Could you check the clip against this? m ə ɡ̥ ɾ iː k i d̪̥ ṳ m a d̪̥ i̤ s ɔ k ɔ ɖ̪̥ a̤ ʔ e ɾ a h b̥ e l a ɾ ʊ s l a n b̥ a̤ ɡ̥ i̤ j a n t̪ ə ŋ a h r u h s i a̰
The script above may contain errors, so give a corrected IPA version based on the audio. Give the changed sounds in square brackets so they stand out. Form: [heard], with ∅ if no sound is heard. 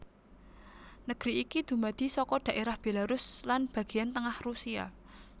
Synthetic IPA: [n] ə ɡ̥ ɾ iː k i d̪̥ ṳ m a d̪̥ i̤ s ɔ k ɔ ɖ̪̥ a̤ ʔ e ɾ a h b̥ e l a ɾ ʊ s l a n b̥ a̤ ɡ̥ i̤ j a n t̪ ə ŋ a h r u [∅] s i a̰